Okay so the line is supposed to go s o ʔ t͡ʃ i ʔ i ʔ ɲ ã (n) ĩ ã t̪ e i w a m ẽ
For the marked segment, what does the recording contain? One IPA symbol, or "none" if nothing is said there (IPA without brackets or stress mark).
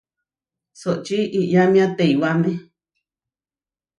m